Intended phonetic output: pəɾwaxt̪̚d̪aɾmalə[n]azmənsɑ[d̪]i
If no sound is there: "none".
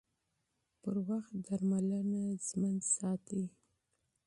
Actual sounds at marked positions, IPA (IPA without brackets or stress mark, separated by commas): n, t̪